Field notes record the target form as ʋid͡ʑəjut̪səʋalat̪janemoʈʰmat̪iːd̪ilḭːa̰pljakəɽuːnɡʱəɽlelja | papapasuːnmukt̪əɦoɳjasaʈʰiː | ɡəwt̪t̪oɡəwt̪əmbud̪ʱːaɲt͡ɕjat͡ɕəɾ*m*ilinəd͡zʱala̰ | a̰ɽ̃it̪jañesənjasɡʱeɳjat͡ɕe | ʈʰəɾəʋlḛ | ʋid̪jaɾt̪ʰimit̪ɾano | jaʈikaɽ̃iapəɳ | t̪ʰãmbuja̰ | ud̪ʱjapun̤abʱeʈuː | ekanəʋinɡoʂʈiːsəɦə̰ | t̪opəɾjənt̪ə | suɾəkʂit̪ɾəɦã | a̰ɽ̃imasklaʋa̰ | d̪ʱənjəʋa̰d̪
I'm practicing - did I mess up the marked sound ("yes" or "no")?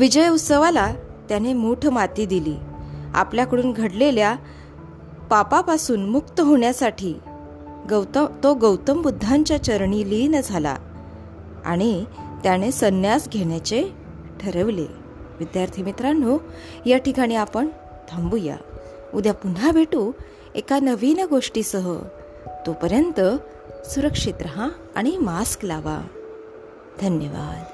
yes